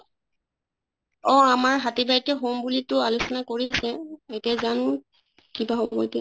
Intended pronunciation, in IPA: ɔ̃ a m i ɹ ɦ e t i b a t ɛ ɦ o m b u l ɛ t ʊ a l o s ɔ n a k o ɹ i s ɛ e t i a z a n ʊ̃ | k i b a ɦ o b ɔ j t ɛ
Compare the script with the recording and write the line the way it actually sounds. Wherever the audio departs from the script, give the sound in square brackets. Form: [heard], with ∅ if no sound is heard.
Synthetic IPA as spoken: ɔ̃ a m [a] ɹ ɦ [a] t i b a t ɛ ɦ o m b u l [i] t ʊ a l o s ɔ n a k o ɹ i s ɛ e t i a z a n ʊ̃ | k i b a ɦ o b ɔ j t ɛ

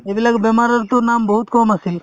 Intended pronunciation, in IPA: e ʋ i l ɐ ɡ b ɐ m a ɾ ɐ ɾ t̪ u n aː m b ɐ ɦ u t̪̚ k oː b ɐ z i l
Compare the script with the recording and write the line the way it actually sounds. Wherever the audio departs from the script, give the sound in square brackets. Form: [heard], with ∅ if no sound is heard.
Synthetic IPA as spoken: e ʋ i l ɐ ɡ b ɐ m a ɾ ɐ ɾ t̪ u n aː m b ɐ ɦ u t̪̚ k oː [m] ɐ [s] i l

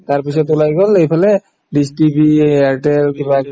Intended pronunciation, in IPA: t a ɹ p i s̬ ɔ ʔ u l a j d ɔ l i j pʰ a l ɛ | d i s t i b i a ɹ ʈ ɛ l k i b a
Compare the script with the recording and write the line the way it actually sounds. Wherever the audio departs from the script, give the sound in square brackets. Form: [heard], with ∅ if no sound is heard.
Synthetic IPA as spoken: t a ɹ p i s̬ ɔ [t] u l a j [ɡ] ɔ l [e] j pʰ a l ɛ | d i s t i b i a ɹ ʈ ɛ l k i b a

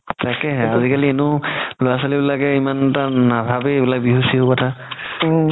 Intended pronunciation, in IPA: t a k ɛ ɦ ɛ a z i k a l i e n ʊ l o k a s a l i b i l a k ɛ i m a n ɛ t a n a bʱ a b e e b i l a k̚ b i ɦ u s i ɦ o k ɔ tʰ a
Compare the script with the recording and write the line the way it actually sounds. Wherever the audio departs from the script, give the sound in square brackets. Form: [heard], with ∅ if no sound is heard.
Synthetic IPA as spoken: t a k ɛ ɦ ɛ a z i k a l i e n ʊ l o [∅] a s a l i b i l a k ɛ i m a n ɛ t a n a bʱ a b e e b i l a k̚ b i ɦ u s i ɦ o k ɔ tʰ a

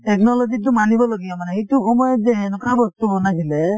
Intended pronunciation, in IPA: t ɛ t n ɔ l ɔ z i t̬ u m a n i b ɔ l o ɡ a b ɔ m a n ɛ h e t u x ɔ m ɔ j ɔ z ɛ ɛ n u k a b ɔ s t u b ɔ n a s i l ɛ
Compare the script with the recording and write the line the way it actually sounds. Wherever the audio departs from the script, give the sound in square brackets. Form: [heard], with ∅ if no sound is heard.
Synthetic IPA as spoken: t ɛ [k] n ɔ l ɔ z i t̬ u m a n i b ɔ l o ɡ [i] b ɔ m a n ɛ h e t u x ɔ m ɔ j ɔ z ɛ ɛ n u k a b ɔ s t u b ɔ n a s i l ɛ

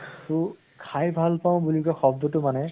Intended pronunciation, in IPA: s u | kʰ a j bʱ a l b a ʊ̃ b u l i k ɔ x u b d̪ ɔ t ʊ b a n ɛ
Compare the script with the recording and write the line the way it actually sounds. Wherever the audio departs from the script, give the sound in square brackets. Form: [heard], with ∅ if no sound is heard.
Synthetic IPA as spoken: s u | kʰ a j bʱ a l [p] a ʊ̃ b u l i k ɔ x [ɔ] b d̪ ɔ t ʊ [m] a n ɛ

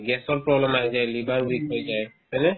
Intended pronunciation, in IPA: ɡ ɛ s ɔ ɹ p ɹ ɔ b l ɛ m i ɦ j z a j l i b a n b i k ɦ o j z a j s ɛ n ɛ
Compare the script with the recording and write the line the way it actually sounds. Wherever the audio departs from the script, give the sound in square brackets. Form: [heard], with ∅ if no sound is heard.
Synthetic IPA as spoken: ɡ ɛ s ɔ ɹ p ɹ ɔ b l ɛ m [a] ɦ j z a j l i b a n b i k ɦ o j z a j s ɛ n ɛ

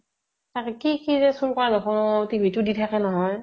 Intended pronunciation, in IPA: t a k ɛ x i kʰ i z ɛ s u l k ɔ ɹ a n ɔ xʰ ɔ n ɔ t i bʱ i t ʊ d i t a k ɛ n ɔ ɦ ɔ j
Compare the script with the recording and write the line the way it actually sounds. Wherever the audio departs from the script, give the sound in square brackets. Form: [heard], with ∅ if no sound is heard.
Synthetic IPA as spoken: t a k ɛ [k] i [k] i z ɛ s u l k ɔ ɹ a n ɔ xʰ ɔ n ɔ t i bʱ i t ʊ d i [tʰ] a k ɛ n ɔ ɦ ɔ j

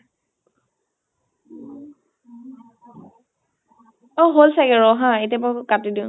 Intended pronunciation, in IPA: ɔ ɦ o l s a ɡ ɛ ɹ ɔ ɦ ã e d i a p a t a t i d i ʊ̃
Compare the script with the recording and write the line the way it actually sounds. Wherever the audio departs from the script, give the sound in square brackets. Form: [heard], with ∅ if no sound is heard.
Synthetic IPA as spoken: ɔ ɦ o l s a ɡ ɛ ɹ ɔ ɦ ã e [t] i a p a [k] a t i d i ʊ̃

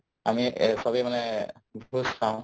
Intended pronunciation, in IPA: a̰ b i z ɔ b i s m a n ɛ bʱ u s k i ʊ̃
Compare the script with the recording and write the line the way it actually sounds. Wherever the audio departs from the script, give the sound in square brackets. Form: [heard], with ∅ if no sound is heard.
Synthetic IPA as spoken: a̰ [m] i [s] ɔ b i [∅] m a n ɛ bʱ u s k [a] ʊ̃

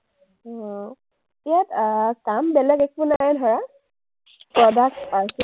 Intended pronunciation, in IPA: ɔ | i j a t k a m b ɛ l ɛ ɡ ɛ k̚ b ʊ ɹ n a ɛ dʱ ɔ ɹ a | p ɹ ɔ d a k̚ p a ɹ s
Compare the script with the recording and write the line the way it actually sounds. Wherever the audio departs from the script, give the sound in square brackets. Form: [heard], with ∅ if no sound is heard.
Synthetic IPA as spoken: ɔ | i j a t k a m b ɛ l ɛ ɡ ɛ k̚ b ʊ [∅] n a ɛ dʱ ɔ ɹ a | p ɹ ɔ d a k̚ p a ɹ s

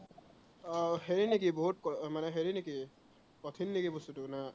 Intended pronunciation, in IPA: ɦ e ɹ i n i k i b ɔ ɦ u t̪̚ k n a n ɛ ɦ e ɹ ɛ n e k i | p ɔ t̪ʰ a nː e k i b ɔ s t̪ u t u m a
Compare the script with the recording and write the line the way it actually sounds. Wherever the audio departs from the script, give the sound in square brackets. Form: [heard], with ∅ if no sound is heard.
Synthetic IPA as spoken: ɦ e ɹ i n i k i b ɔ ɦ u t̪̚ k [m] a n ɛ ɦ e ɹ [i] n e k i | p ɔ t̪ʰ [i] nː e k i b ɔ s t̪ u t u [n] a

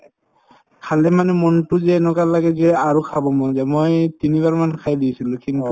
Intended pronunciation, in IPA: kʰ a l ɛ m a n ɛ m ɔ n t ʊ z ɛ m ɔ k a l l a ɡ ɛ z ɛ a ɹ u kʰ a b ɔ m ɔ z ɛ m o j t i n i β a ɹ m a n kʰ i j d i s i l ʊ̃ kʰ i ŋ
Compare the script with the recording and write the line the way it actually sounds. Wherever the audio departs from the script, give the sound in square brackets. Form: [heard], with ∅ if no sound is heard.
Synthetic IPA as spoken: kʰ a l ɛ m a n ɛ m ɔ n t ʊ z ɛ [n] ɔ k a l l a ɡ ɛ z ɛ a ɹ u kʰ a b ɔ m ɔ z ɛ m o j t i n i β a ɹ m a n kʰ [a] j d i s i l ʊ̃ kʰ i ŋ

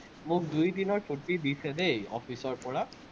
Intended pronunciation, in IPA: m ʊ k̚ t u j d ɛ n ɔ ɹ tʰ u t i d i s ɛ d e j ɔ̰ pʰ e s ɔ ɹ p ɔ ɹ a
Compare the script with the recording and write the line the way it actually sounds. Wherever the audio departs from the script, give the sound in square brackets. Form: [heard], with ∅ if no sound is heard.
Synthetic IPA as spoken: m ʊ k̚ [d] u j d [i] n ɔ ɹ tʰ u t i d i s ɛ d e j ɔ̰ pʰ [i] s ɔ ɹ p ɔ ɹ a

